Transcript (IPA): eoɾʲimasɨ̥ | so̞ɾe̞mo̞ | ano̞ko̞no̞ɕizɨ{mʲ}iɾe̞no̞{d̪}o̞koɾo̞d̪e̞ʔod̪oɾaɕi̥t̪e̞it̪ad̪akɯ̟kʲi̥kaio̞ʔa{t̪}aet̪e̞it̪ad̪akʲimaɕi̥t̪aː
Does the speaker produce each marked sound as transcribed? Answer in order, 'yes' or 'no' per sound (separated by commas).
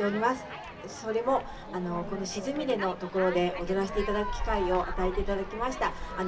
yes, no, yes